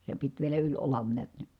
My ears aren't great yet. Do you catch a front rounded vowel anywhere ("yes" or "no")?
yes